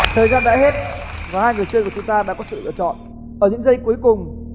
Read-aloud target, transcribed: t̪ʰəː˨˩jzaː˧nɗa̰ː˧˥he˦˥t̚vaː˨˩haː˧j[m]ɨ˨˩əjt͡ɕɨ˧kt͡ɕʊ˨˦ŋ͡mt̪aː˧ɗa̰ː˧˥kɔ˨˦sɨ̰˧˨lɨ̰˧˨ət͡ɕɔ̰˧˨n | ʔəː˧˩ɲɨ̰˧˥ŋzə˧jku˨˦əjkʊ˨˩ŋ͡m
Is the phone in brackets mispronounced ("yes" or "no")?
yes